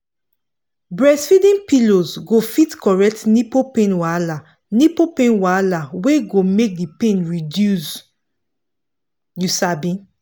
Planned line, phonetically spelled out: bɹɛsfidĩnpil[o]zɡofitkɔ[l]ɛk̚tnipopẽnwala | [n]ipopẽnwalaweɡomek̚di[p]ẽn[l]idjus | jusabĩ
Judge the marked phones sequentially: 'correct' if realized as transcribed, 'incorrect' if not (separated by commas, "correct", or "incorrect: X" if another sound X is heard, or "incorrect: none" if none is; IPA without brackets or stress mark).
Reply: correct, incorrect: ɹ, correct, correct, incorrect: ɹ